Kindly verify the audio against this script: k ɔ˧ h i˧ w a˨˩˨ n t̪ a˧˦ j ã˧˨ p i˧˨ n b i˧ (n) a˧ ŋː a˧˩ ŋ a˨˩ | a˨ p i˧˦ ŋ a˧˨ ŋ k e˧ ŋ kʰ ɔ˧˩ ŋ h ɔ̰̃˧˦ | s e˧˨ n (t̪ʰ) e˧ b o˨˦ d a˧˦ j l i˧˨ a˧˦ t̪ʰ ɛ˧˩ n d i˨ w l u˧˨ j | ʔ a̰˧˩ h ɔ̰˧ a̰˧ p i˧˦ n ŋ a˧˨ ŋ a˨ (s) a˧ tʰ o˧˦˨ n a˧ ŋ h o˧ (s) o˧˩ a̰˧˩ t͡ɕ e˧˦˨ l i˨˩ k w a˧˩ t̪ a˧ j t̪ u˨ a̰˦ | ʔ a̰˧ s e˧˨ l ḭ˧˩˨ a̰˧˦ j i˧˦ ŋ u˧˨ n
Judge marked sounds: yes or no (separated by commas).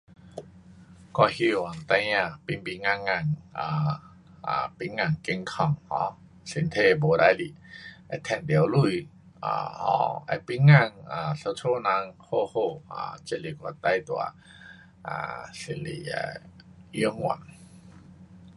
no, yes, yes, no